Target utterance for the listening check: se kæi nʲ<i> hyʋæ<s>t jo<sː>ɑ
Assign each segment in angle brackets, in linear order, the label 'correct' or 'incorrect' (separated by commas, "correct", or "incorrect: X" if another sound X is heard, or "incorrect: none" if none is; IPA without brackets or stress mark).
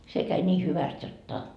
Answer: incorrect: iː, correct, incorrect: tː